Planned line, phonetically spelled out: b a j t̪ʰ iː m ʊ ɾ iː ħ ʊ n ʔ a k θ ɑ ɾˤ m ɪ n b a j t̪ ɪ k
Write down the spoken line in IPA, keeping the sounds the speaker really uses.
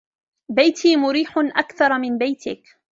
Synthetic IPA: b a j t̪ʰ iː m ʊ ɾ iː ħ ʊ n ʔ a k θ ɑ ɾˤ m ɪ n b a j t̪ ɪ k